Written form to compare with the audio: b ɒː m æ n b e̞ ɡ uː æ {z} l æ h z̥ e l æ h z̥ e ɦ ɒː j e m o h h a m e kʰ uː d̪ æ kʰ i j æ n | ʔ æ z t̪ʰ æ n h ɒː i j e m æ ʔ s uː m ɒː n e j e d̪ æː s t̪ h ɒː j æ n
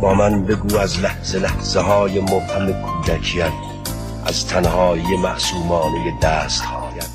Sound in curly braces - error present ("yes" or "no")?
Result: no